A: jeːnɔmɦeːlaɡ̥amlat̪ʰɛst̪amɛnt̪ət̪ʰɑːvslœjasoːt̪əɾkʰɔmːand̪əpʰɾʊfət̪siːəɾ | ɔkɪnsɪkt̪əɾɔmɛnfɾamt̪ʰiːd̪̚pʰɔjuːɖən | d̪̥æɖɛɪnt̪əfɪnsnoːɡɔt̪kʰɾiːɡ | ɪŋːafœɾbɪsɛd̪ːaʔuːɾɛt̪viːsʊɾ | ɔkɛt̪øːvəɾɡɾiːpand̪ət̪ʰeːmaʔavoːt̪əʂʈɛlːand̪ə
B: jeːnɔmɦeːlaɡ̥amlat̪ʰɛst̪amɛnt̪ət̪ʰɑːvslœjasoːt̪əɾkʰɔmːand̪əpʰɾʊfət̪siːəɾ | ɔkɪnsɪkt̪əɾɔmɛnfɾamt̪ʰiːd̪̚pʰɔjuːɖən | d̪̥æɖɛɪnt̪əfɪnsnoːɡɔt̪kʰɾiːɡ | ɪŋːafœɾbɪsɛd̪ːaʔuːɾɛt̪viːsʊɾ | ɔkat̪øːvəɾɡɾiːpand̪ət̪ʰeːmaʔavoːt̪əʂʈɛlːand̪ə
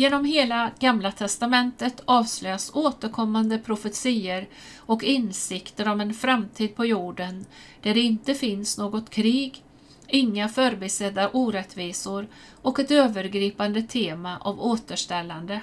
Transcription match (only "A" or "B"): A